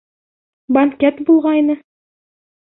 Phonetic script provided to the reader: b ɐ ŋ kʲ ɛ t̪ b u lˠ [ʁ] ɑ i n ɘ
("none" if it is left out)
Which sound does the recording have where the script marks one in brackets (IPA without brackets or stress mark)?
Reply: ʁ